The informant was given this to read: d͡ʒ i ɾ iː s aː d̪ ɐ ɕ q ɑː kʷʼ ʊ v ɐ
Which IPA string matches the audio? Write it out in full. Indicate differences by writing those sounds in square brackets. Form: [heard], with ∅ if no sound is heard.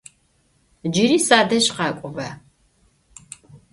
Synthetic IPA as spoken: d͡ʒ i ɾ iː s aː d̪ ɐ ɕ q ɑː kʷʼ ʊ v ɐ